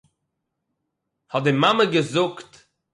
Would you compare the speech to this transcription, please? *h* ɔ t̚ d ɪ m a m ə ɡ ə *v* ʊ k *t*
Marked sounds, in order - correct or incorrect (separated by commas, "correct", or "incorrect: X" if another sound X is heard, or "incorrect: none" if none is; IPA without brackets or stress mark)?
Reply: correct, incorrect: z, correct